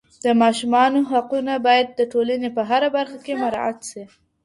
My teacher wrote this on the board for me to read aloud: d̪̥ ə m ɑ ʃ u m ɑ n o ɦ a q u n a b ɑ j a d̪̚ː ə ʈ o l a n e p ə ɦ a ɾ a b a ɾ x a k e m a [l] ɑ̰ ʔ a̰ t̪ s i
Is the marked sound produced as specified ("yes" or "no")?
no